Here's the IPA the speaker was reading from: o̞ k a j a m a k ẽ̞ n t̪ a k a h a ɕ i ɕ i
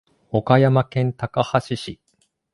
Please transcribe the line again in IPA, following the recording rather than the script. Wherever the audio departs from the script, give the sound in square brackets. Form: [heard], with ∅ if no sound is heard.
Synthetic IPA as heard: o̞ k a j a m a k ẽ̞ n t̪ a k a h a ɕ i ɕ i

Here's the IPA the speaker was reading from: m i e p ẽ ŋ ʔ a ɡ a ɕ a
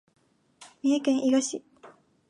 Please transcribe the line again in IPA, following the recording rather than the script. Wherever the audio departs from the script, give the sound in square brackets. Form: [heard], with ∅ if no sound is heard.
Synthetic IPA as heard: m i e [k] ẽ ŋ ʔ [i] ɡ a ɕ [i]

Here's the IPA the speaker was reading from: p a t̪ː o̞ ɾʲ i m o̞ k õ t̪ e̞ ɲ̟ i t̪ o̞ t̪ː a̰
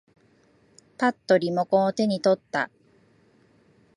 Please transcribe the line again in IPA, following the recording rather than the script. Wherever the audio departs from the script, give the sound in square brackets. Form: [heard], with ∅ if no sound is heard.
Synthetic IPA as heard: p a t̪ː o̞ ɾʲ i m o̞ k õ t̪ e̞ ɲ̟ i t̪ o̞ t̪ː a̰

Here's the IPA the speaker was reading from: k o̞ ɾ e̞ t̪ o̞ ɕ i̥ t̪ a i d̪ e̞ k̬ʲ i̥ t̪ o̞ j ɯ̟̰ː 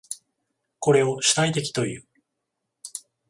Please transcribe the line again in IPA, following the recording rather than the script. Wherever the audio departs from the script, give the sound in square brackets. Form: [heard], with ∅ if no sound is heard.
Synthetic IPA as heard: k o̞ ɾ e̞ [∅] o̞ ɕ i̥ t̪ a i [t̪] e̞ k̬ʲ i̥ t̪ o̞ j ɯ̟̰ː

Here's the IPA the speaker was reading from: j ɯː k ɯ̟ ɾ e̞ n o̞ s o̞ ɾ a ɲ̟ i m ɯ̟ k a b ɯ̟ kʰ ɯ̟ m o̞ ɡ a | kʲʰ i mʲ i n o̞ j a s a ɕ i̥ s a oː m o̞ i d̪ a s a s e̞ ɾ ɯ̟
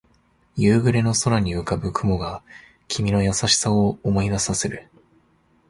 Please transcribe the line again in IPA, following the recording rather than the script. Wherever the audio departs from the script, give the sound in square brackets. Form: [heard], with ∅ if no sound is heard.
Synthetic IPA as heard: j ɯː [ɡ] ɯ̟ ɾ e̞ n o̞ s o̞ ɾ a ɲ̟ i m ɯ̟ k a b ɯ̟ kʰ ɯ̟ m o̞ ɡ a | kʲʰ i mʲ i n o̞ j a s a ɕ i̥ s a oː m o̞ i d̪ a s a s e̞ ɾ ɯ̟

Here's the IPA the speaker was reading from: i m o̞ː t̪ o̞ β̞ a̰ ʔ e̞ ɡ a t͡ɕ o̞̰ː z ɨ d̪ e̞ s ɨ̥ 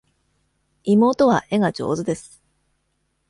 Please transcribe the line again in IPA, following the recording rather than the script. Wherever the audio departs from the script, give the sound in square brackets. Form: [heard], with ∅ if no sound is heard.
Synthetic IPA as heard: i m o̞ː t̪ o̞ β̞ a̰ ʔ e̞ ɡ a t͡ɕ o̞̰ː z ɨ d̪ e̞ s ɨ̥

